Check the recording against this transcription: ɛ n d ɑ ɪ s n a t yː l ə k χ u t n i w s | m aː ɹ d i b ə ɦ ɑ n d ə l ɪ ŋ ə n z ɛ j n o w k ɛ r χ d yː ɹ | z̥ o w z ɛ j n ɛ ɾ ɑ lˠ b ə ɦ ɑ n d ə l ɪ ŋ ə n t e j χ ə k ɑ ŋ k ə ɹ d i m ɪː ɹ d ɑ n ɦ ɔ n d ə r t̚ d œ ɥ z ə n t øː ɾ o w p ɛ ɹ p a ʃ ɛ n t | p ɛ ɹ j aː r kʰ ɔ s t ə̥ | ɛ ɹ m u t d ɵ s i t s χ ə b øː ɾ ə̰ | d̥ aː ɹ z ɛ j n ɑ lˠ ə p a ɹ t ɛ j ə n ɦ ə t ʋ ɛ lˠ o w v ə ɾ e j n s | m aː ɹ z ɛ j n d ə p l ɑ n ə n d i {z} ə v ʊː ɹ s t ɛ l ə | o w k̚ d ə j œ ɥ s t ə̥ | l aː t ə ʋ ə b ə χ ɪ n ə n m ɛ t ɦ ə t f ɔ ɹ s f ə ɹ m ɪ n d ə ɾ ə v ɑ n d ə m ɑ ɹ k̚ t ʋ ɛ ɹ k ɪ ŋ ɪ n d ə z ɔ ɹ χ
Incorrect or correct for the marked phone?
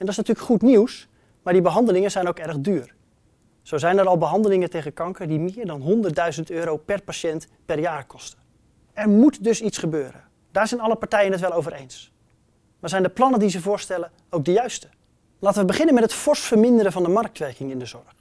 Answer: correct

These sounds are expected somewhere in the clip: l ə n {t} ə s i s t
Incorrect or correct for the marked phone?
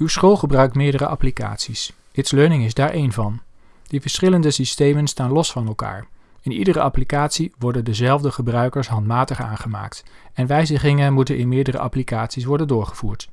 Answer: incorrect: d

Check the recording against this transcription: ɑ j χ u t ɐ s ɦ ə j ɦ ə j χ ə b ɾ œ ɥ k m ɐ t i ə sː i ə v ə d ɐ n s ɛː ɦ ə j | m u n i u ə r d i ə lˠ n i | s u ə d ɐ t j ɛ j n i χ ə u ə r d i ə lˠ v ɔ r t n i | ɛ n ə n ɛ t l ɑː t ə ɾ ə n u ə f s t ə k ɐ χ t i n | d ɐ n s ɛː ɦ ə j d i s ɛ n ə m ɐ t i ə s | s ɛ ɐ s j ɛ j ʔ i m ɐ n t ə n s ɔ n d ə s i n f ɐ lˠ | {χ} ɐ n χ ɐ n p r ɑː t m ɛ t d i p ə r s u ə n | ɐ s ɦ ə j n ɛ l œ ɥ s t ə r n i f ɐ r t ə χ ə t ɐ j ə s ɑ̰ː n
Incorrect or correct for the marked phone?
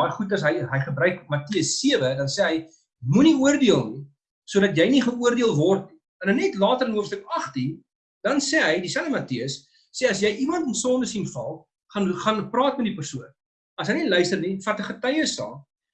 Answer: correct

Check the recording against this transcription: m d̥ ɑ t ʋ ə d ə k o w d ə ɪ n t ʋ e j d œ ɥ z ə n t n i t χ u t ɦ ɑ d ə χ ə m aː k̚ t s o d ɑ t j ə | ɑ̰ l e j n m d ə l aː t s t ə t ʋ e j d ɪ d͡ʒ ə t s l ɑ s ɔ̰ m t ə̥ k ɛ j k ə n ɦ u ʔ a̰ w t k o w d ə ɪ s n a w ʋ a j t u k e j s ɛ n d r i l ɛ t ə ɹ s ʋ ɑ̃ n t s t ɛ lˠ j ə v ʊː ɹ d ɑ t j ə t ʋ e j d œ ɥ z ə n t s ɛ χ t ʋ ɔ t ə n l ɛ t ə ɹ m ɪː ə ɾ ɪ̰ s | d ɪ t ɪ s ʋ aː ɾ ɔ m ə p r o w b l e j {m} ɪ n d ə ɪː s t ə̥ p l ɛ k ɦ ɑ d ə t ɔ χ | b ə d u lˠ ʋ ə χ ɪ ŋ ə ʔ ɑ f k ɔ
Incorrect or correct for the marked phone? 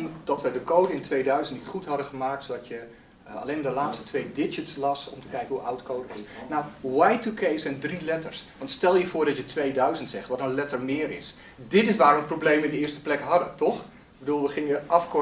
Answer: correct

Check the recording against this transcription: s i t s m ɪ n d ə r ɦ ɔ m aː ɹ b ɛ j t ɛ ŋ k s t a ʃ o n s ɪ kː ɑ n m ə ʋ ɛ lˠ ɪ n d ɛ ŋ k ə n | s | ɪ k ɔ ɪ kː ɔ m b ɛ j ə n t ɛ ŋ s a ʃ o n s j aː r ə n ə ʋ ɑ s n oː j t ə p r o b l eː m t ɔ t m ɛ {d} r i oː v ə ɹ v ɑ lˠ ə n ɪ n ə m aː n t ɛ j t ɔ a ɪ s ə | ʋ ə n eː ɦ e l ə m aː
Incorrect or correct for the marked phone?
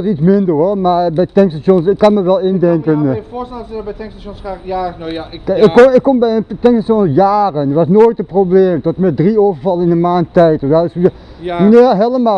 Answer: correct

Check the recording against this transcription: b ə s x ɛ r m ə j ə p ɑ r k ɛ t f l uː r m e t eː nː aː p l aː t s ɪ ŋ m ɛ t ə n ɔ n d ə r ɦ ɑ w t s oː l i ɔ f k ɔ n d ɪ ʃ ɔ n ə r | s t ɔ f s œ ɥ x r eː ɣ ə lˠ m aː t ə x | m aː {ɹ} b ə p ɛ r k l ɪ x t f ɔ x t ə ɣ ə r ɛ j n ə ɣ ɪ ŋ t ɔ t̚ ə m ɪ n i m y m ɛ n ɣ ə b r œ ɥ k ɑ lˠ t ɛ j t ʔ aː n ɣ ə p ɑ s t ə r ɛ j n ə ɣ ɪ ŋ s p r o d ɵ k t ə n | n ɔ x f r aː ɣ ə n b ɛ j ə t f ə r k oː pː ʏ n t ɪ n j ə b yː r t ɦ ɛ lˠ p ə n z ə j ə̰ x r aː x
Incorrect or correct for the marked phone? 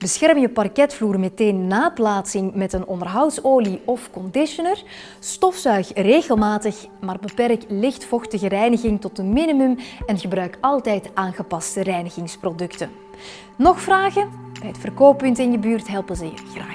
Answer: incorrect: r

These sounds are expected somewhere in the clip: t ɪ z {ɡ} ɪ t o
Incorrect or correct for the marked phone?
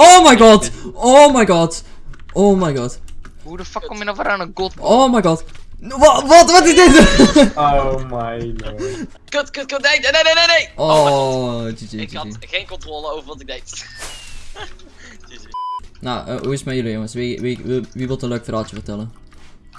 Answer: incorrect: d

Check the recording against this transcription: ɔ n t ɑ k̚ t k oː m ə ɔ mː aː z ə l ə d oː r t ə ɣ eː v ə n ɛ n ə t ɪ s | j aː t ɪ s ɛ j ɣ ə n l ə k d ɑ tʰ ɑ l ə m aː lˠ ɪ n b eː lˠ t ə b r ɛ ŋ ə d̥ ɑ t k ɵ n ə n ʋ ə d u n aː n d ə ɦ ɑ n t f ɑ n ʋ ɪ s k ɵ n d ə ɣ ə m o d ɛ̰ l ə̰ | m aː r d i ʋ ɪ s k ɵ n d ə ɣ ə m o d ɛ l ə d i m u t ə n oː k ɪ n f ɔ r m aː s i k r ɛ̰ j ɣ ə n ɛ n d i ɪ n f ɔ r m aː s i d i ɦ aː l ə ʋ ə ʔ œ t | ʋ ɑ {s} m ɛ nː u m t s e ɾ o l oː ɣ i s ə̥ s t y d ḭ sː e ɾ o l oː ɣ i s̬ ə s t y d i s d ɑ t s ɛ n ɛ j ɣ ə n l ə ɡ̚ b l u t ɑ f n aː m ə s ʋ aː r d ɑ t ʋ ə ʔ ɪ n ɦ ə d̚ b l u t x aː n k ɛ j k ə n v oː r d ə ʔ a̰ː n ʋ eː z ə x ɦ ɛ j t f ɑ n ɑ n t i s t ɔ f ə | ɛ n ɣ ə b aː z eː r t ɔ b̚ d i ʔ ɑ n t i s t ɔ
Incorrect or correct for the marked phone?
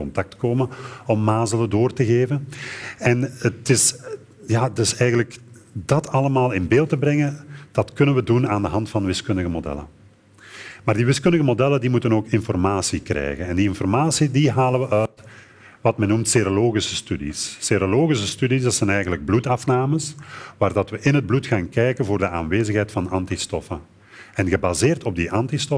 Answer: incorrect: t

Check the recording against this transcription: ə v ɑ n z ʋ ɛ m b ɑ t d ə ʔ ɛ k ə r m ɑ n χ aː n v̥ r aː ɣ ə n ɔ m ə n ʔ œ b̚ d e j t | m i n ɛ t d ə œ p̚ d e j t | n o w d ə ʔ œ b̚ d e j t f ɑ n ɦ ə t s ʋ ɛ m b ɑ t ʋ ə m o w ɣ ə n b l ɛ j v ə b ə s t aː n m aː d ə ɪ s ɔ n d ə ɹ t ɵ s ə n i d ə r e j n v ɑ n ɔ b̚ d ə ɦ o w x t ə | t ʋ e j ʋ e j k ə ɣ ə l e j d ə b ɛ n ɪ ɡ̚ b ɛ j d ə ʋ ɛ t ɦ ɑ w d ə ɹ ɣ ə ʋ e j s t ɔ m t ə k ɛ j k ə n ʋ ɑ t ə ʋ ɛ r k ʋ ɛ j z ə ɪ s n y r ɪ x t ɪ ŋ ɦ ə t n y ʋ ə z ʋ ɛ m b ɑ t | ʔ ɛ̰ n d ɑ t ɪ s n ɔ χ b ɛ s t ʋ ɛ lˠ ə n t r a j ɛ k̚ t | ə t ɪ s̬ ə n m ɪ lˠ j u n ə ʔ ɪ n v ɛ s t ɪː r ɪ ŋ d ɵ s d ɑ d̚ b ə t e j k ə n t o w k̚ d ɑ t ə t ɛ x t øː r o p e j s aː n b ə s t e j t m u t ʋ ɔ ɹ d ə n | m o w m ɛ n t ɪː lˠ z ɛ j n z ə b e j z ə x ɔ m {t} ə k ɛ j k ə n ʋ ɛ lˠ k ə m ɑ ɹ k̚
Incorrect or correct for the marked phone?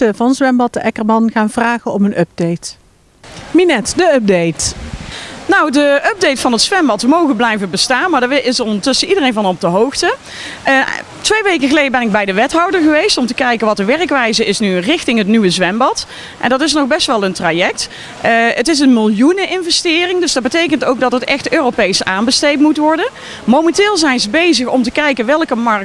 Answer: correct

